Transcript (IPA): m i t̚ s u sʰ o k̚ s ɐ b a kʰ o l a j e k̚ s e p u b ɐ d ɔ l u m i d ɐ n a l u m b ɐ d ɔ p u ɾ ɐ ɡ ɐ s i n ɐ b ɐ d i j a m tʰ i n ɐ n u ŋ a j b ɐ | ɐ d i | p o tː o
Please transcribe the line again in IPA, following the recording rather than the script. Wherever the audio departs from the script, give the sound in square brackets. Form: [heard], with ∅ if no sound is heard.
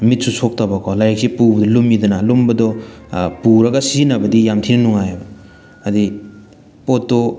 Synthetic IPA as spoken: m i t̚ s u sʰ o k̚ [t] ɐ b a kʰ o l a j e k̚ s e p u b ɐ d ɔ l u m i d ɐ n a l u m b ɐ d ɔ p u ɾ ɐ ɡ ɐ s i n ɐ b ɐ d i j a m tʰ i n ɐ n u ŋ a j b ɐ | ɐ d i | p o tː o